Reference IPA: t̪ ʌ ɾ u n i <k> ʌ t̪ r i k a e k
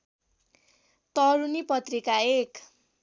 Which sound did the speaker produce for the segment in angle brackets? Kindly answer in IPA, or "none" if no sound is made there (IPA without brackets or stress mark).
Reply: p